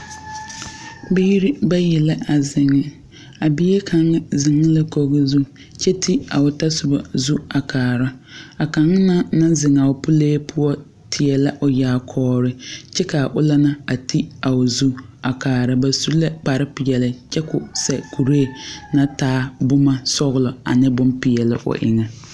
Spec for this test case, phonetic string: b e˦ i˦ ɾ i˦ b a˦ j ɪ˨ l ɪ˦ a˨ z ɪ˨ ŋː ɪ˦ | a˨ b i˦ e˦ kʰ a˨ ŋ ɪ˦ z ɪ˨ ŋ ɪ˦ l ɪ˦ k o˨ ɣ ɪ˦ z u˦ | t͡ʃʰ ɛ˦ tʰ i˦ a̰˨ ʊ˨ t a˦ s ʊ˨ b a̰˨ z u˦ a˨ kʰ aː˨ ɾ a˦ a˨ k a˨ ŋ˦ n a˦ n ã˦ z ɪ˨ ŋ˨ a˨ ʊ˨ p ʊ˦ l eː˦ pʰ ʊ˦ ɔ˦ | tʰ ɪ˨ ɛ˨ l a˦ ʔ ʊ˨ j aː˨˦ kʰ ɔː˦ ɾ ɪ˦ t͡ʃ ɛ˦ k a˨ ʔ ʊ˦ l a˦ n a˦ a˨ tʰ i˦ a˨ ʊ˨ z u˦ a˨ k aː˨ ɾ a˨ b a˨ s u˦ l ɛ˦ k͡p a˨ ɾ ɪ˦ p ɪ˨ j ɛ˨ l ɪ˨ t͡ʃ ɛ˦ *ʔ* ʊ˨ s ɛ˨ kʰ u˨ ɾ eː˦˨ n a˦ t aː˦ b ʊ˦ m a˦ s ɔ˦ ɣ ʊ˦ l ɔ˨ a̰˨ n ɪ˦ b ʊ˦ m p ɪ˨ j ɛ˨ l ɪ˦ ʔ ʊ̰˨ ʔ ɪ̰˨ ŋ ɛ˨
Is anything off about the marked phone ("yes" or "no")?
yes